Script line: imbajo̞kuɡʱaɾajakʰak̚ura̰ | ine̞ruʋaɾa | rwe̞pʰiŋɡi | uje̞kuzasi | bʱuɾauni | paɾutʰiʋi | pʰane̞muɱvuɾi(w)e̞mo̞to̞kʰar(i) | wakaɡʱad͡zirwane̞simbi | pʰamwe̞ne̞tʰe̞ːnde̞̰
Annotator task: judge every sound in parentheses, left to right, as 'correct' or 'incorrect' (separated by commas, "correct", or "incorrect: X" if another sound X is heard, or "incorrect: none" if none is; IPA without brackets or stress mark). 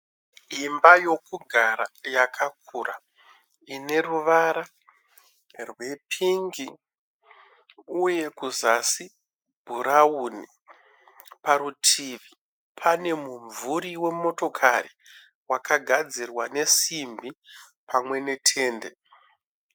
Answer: correct, correct